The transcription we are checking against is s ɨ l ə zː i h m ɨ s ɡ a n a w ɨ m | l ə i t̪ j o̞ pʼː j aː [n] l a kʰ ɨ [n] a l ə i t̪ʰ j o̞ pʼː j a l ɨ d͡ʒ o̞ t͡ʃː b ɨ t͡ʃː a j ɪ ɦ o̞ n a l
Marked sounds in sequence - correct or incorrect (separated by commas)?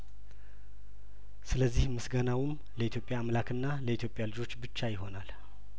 incorrect, incorrect